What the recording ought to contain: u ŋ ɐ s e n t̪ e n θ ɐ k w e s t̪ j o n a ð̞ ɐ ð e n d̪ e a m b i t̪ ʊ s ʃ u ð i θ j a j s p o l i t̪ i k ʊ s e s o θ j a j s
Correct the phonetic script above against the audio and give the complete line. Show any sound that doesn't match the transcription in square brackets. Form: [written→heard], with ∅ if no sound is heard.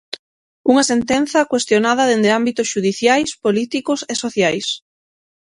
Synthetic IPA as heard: u ŋ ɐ s e n t̪ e n θ ɐ k w e s t̪ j o n a ð̞ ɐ ð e n d̪ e a m b i t̪ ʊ s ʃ u ð i θ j a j s p o l i t̪ i k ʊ s e s o θ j a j s